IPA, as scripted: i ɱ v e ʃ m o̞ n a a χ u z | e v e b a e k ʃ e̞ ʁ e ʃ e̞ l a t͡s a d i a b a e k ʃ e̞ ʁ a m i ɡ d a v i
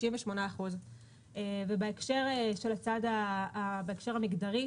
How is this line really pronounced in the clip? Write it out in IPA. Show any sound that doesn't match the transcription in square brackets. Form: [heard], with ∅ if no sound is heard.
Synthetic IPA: i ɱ v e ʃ m o̞ n a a χ u z | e v e b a e k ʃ e̞ ʁ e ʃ e̞ l a t͡s a d [a] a b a e k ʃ e̞ ʁ a m i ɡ d a [ʁ] i